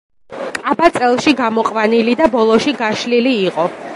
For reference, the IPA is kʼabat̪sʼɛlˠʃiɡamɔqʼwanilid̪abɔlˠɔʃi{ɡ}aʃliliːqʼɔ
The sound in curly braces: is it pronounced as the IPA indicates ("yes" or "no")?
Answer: yes